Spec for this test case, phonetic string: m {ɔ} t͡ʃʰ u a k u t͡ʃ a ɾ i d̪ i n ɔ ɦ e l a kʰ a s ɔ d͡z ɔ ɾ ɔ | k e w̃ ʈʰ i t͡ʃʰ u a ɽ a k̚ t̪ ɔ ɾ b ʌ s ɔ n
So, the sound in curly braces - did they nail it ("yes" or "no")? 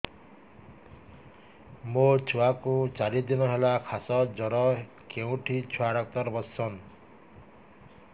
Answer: no